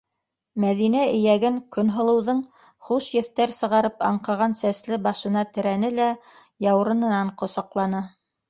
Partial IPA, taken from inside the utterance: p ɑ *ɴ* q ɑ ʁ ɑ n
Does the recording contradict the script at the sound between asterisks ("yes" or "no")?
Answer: no